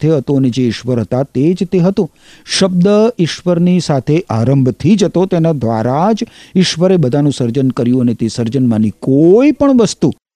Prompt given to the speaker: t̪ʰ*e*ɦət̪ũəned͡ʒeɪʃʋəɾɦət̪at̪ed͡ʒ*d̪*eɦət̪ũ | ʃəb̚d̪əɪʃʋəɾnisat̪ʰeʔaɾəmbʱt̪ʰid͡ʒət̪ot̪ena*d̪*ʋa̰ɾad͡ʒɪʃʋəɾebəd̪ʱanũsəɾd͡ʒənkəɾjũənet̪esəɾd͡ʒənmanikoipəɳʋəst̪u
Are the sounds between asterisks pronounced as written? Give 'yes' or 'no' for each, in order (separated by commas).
yes, no, yes